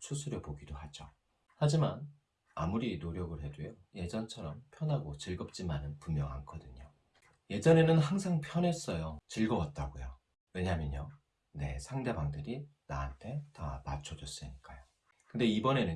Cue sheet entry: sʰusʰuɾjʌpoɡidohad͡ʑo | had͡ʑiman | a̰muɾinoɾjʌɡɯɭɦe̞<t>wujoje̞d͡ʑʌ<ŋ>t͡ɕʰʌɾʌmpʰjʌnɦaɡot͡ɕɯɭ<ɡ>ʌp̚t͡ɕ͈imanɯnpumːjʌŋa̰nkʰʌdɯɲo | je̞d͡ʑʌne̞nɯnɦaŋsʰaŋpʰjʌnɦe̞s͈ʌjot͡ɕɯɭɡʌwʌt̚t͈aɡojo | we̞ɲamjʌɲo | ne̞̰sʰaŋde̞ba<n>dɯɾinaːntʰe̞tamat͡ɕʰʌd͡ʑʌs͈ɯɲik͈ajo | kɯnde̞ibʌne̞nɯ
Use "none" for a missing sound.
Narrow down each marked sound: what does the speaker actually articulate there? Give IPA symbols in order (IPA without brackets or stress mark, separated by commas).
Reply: d, n, ɡ, ŋ